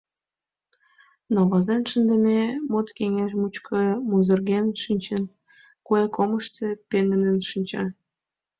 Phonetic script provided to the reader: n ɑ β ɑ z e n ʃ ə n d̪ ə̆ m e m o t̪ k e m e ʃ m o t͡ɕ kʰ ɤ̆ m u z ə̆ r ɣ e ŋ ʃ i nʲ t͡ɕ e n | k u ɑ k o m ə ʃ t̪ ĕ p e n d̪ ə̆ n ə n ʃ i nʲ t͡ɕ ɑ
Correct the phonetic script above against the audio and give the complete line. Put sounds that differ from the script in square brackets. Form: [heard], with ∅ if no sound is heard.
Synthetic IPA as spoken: n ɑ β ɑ z e n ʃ ə n d̪ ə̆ m e m o t̪ k e [ŋ] e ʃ m [u] t͡ɕ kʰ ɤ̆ m u z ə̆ r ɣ e [n] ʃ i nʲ t͡ɕ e n | k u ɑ k o m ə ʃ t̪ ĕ p e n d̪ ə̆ n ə n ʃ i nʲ t͡ɕ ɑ